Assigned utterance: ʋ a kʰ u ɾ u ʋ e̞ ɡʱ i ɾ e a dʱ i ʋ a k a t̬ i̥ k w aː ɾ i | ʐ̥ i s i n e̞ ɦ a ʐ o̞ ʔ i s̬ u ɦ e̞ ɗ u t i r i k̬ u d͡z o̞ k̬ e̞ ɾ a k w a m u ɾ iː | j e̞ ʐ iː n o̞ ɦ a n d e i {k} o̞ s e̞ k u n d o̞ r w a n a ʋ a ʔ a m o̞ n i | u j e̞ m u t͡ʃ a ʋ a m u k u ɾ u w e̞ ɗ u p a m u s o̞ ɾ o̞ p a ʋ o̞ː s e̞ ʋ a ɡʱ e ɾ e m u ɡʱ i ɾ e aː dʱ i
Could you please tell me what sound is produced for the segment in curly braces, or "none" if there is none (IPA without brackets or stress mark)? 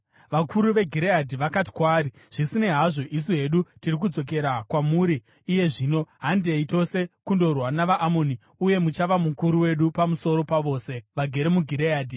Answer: t